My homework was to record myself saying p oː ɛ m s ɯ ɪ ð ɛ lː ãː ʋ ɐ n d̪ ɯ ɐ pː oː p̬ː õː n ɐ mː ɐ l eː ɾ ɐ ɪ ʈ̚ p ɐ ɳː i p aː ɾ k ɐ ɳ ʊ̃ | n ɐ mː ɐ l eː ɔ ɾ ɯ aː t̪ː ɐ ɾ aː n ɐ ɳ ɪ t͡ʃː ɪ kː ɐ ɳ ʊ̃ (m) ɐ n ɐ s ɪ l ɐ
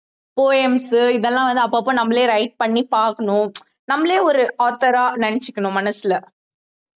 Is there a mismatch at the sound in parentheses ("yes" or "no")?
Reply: no